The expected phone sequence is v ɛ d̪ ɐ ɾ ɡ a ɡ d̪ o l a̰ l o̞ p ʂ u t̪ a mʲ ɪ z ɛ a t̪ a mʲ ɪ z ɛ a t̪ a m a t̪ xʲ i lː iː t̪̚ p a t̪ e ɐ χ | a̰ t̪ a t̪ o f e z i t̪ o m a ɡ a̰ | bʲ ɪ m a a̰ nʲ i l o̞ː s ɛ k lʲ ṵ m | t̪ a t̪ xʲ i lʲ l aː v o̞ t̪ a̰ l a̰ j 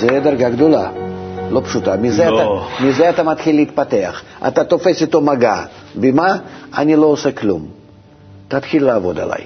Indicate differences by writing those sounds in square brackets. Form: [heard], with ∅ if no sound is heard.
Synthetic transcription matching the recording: [z] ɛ d̪ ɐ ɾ ɡ a ɡ d̪ o l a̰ l o̞ p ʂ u t̪ a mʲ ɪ z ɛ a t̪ a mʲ ɪ z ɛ a t̪ a m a t̪ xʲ i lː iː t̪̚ p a t̪ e ɐ χ | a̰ t̪ a t̪ o f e [s] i t̪ o m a ɡ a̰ | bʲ ɪ m a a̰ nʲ i l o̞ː s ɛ k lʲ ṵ m | t̪ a t̪ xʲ i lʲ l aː v o̞ [d̪] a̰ l a̰ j